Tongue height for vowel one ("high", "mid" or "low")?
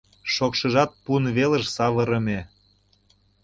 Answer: mid